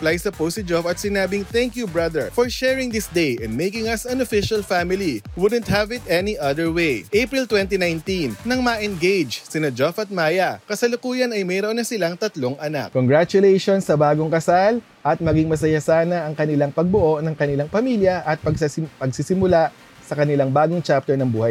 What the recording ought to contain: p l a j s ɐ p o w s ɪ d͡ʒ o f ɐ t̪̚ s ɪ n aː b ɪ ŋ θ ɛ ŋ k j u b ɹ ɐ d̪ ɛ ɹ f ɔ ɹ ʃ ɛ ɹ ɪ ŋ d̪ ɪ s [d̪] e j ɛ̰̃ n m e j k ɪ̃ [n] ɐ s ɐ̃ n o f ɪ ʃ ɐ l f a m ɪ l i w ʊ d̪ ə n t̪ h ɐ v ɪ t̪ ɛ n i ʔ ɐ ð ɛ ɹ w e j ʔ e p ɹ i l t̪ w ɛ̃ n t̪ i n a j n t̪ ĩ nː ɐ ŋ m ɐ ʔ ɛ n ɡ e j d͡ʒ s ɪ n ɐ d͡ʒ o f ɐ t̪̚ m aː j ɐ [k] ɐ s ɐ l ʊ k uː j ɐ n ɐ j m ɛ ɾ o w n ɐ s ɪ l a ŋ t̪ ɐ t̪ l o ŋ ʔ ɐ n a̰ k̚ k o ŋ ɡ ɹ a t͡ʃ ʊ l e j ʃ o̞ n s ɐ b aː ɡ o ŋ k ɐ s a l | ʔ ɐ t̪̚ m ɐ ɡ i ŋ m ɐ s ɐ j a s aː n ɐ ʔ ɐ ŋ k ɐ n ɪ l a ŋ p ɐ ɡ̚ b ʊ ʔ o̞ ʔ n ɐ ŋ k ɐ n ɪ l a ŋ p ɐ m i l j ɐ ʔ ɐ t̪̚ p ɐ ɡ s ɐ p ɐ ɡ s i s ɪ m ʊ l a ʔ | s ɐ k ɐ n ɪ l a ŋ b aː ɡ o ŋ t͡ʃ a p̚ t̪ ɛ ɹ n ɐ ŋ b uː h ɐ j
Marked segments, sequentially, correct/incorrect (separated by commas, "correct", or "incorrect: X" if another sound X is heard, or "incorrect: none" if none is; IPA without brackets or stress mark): correct, incorrect: ŋ, correct